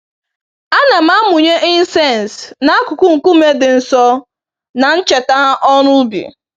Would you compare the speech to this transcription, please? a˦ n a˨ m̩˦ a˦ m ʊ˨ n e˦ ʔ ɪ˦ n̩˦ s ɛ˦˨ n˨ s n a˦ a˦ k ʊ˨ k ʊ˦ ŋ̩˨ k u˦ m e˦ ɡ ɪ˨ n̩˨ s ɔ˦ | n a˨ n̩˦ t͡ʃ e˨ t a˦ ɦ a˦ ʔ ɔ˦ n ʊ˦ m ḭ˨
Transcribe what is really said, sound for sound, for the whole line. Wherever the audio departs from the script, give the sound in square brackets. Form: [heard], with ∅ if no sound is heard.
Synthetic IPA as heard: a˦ n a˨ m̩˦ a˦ m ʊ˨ [ɲ] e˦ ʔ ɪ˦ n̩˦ s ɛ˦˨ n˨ s n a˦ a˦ k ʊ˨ k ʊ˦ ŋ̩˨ k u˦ m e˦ [d] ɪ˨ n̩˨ s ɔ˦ | n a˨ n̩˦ t͡ʃ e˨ t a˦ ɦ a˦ ʔ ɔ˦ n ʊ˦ [b] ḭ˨

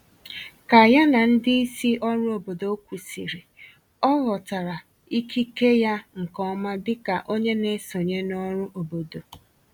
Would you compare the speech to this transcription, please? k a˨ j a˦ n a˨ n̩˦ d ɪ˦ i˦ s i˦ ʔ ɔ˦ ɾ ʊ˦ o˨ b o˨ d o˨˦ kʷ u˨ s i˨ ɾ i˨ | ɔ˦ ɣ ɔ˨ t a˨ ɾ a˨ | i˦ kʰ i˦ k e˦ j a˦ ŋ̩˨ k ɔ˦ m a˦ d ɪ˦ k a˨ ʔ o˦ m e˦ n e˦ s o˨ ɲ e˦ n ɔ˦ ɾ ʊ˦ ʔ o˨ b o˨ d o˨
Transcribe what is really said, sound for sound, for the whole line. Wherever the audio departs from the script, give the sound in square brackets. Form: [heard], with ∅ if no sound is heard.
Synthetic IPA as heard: k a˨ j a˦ n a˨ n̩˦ d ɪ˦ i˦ s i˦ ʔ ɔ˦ ɾ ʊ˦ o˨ b o˨ d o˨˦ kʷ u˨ s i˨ ɾ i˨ | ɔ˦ ɣ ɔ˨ t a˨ ɾ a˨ | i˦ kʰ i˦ k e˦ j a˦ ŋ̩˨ k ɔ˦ m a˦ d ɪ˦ k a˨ ʔ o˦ [ɲ] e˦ n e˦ s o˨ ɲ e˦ n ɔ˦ ɾ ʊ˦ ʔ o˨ b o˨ d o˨

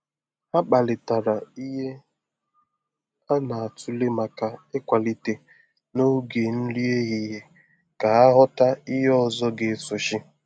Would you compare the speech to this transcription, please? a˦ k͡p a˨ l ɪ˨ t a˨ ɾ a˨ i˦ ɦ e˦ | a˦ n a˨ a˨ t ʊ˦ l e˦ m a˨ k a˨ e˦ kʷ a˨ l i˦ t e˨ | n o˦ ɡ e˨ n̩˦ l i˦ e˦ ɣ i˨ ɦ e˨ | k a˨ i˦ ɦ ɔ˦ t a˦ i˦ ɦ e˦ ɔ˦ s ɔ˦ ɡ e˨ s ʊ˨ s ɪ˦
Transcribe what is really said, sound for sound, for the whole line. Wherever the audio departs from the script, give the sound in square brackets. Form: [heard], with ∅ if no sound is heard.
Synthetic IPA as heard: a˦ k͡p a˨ l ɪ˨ t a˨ ɾ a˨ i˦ ɦ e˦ | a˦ n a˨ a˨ t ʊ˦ l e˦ m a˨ k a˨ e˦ kʷ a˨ l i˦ t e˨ | n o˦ ɡ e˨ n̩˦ l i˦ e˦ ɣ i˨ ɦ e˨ | k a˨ [a˦] ɦ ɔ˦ t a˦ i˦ ɦ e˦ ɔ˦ [z] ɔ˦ ɡ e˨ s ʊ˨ [ʃ] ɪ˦

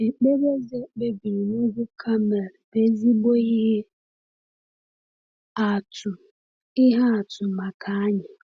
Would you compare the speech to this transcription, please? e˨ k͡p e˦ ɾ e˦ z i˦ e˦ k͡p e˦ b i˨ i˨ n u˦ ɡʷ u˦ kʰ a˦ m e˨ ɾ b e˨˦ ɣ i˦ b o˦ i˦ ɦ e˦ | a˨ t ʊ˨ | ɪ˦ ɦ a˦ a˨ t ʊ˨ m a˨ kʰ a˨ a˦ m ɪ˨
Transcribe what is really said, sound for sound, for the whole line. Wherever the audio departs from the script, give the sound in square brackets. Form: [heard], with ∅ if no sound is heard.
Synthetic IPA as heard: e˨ k͡p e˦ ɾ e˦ z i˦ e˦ k͡p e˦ b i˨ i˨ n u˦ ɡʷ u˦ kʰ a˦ m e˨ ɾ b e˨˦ [z] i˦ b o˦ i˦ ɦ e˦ | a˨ t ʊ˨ | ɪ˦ ɦ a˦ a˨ t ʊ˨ m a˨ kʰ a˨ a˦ [ɲ] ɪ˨

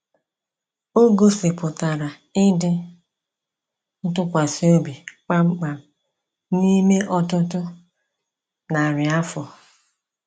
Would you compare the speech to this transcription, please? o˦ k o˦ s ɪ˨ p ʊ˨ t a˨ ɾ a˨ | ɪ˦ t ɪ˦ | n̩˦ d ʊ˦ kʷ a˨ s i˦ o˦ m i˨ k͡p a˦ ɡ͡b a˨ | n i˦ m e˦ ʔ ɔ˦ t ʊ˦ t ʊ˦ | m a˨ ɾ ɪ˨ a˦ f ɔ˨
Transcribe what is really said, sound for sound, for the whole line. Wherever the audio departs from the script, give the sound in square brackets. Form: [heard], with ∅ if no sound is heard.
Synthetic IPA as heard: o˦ [ɡ] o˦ s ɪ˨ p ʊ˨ t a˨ ɾ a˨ | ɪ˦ [d] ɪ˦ | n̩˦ [t] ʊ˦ kʷ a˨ s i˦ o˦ [b] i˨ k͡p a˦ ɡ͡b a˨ | n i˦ m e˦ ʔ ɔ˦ t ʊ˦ t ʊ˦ | [n] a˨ ɾ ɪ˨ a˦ f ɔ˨

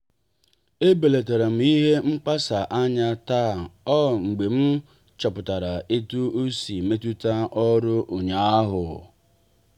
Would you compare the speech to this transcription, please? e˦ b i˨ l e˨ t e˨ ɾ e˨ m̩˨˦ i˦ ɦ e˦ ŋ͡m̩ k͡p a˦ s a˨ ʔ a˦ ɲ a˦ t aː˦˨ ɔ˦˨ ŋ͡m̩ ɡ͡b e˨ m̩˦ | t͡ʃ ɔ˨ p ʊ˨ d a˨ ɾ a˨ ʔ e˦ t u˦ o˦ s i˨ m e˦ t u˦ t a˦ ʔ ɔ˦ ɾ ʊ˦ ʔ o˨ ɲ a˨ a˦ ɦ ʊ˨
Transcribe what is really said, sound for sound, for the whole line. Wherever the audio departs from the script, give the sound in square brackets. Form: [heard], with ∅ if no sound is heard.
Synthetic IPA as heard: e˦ b [e˨] l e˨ t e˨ ɾ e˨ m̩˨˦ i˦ ɦ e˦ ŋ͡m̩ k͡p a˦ s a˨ ʔ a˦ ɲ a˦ t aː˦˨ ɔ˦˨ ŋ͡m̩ ɡ͡b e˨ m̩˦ | t͡ʃ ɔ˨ p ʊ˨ [t] a˨ ɾ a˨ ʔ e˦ t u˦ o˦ s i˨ m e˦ t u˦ t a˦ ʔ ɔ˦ ɾ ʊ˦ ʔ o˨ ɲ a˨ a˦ ɦ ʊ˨

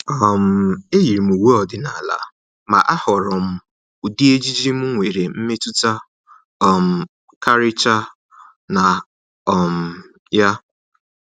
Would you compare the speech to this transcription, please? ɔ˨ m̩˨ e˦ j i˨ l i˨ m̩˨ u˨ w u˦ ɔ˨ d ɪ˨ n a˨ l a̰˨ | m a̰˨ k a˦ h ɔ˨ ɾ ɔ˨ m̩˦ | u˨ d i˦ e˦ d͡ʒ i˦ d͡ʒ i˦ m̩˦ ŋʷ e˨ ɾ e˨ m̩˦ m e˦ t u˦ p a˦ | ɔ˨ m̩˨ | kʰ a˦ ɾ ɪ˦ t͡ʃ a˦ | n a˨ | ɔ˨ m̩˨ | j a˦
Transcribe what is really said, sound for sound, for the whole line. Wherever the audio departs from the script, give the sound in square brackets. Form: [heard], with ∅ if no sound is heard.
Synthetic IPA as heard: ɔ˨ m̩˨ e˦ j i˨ [ɾ] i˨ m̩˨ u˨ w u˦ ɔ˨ d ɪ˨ n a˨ l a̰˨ | m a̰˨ [ʔ] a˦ h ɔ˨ ɾ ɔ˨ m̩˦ | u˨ d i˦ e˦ d͡ʒ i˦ d͡ʒ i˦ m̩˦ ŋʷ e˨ ɾ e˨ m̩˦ m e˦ t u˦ [t] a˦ | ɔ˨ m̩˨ | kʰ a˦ ɾ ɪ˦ t͡ʃ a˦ | n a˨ | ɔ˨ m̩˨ | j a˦

